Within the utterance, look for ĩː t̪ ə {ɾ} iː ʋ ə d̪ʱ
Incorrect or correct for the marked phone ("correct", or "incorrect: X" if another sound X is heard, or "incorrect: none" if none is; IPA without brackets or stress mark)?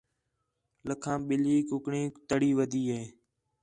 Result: incorrect: ɽ